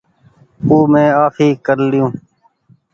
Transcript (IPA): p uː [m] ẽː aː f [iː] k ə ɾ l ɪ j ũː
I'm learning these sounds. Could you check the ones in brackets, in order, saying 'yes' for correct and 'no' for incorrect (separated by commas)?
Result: yes, yes